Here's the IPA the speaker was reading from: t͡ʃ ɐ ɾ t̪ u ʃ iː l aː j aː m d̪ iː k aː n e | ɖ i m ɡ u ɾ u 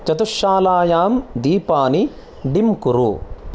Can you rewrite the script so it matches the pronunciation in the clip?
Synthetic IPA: t͡ʃ ɐ t̪ u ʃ aː l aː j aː m d̪ iː p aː n i | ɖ i m k u ɾ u